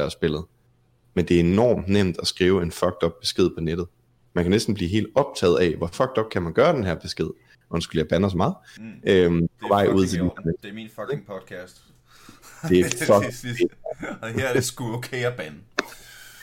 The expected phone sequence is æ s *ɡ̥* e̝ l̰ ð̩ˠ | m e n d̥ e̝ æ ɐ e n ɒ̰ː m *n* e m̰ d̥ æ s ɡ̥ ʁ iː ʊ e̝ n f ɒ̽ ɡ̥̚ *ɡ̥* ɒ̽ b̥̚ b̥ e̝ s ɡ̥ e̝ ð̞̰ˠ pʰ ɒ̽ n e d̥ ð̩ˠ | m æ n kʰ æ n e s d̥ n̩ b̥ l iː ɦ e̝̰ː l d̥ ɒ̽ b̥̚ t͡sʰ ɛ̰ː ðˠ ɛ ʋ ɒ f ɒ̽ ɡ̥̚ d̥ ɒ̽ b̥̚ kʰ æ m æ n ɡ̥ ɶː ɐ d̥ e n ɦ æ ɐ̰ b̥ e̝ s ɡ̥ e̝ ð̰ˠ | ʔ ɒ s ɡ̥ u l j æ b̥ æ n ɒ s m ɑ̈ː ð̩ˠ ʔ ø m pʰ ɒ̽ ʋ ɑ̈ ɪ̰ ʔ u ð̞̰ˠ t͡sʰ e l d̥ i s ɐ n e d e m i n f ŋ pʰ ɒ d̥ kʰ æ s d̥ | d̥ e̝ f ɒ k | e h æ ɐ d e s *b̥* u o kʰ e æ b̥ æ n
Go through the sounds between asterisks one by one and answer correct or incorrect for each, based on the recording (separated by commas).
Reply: incorrect, correct, incorrect, incorrect